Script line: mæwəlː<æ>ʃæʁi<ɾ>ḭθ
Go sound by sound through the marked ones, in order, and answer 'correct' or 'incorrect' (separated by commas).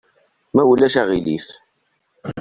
correct, incorrect